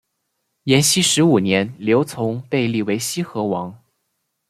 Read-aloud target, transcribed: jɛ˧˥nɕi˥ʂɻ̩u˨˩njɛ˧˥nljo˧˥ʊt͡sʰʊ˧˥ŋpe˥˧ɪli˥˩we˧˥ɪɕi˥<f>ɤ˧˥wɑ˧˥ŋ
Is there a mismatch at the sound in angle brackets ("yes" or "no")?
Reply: yes